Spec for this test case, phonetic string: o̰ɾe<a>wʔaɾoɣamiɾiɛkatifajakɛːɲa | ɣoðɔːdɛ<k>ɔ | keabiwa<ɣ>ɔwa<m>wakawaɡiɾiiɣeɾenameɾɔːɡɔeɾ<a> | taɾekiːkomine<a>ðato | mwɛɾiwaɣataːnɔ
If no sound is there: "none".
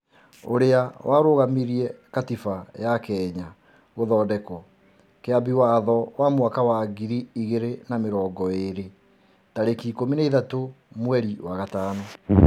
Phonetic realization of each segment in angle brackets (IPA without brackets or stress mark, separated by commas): a, k, ð, m, e, i